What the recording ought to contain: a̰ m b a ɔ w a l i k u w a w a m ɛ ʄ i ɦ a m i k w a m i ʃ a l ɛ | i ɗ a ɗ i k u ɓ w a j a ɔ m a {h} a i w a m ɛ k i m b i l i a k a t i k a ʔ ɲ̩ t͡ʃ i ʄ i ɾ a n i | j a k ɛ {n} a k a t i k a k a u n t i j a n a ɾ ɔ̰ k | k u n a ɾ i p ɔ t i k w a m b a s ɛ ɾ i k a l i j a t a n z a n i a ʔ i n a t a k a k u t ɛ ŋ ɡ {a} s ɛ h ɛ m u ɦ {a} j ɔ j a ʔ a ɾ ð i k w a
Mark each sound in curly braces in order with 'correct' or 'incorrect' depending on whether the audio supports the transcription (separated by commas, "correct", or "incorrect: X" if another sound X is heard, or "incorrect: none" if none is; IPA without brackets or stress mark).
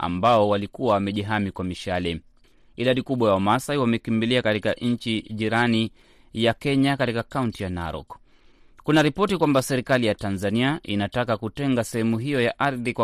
incorrect: s, incorrect: ɲ, correct, incorrect: i